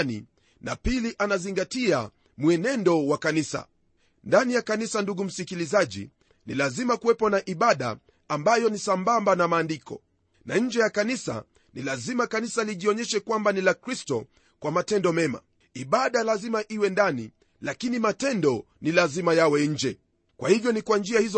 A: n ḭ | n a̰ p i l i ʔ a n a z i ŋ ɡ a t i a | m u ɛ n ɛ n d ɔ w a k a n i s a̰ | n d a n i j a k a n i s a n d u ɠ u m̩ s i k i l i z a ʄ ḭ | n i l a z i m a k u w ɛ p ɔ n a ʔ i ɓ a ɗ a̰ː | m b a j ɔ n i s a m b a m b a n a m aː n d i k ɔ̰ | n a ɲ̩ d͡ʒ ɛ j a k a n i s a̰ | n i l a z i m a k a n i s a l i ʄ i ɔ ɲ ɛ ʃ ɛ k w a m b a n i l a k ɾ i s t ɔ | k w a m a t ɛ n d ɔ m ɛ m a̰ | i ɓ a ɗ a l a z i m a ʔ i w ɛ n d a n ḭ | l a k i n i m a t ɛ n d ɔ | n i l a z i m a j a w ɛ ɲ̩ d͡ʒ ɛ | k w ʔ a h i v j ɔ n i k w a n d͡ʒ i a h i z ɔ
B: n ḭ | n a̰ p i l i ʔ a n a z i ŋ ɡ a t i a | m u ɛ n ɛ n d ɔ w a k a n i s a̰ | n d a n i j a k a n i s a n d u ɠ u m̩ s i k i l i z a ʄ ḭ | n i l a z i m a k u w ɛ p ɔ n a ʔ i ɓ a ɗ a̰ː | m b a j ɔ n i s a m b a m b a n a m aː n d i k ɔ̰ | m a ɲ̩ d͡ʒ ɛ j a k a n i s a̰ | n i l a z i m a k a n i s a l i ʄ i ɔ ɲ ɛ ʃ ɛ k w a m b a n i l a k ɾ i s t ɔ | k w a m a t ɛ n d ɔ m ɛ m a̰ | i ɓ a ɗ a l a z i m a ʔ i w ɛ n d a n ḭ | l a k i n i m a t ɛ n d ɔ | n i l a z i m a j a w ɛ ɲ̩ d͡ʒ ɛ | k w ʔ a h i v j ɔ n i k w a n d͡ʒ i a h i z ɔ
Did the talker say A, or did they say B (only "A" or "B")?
A